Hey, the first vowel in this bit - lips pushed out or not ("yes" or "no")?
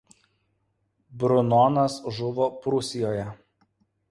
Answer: yes